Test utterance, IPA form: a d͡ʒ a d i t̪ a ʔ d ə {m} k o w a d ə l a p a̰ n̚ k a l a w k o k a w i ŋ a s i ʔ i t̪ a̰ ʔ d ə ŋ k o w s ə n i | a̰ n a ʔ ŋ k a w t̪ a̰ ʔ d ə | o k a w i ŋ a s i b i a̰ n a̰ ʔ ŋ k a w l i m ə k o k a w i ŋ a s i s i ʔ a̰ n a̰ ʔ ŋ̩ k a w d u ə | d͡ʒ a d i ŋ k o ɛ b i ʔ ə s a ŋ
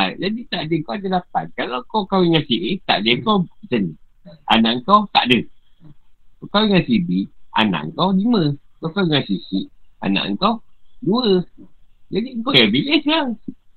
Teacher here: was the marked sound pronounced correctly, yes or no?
no